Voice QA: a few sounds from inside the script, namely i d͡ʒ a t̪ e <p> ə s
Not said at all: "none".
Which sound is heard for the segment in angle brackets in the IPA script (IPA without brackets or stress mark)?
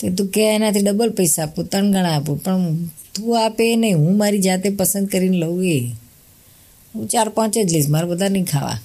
p